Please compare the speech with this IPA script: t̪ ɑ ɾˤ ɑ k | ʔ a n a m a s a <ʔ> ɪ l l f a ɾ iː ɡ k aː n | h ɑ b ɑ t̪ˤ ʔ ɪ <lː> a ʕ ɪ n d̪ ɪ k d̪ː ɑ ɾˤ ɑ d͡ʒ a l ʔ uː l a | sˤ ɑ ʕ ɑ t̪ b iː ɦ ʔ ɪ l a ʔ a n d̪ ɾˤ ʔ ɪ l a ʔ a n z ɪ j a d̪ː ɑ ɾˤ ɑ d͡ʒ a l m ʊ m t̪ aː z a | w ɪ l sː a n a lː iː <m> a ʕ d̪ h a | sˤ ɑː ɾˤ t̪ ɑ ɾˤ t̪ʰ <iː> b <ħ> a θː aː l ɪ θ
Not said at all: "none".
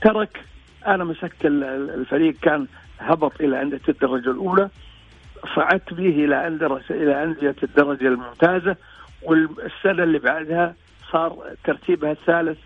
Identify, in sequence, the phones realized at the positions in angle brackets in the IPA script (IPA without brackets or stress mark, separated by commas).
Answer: k, l, b, iː, h